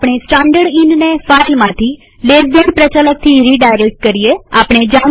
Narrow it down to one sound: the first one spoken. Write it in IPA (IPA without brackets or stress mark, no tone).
p